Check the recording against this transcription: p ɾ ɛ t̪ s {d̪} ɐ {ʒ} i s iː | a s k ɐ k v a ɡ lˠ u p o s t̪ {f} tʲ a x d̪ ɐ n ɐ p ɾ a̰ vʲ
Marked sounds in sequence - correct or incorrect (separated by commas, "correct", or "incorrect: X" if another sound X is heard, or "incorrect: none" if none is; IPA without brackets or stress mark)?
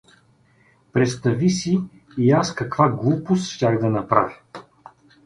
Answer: incorrect: t̪, incorrect: v, incorrect: ʃ